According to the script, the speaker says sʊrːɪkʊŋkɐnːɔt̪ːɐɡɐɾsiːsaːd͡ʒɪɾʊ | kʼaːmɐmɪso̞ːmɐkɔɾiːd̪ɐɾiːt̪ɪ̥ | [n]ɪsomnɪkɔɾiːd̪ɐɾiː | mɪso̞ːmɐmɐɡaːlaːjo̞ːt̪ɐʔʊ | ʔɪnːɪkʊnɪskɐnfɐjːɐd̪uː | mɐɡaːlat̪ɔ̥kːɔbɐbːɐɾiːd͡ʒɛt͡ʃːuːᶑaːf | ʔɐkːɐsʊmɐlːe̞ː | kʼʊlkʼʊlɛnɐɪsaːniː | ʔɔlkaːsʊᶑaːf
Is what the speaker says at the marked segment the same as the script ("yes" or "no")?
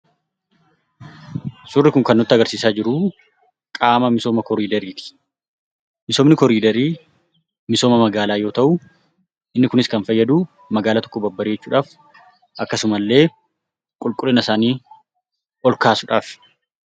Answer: no